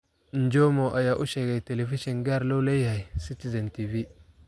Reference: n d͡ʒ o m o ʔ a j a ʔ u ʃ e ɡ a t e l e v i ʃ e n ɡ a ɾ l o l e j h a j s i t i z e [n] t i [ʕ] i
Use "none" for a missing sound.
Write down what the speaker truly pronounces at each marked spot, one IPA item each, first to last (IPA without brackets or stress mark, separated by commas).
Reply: n, v